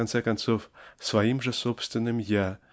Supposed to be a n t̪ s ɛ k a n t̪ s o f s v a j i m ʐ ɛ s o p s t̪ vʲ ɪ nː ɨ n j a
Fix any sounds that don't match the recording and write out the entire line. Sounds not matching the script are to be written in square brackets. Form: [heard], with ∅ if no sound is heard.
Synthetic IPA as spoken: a n t̪ s ɛ k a n t̪ s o f s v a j i m ʐ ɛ s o p s t̪ vʲ ɪ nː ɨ [m] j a